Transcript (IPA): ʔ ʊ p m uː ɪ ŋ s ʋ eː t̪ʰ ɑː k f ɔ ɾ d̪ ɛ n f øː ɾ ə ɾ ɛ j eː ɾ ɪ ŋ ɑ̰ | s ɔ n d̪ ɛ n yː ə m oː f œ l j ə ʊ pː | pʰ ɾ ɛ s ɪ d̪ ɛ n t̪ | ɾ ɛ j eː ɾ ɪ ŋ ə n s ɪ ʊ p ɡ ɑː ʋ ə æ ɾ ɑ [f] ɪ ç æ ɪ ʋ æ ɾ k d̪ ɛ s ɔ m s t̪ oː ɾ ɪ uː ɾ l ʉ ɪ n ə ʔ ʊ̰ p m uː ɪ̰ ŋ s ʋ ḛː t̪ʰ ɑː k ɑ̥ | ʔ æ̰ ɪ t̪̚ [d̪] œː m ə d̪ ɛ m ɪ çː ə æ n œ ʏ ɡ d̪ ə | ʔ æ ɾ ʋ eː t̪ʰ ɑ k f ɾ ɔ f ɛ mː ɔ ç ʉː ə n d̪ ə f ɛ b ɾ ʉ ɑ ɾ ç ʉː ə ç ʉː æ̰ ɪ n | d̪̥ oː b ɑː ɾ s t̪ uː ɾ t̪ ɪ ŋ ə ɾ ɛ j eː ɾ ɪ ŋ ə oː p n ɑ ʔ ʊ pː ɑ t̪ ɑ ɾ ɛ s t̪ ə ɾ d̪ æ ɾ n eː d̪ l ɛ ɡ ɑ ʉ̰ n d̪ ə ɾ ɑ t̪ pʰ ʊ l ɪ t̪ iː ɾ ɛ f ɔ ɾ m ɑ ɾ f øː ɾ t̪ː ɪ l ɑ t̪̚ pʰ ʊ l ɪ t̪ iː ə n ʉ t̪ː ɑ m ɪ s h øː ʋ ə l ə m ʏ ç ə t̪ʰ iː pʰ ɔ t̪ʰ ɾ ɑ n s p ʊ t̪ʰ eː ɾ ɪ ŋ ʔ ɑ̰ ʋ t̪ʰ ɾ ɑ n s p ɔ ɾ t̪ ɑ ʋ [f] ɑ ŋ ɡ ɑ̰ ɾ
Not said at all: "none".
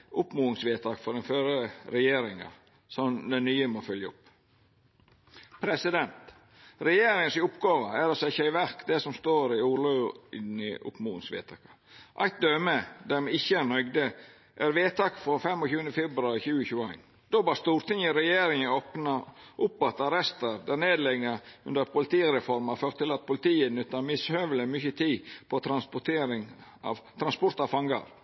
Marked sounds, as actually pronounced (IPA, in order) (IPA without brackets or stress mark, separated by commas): s, d̪, f